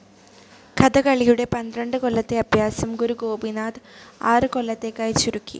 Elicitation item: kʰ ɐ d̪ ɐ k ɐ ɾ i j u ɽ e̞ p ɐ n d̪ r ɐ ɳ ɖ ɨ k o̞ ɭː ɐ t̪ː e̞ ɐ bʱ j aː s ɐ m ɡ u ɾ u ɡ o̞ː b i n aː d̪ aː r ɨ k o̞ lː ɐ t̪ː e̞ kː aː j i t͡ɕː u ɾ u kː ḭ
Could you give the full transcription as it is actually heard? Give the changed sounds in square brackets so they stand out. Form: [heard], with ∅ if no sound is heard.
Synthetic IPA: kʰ ɐ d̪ ɐ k ɐ [ɭ] i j u ɽ e̞ p ɐ n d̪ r ɐ ɳ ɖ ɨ k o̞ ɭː ɐ t̪ː e̞ ɐ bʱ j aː s ɐ m ɡ u ɾ u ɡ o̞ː b i n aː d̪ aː r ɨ k o̞ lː ɐ t̪ː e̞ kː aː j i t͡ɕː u ɾ u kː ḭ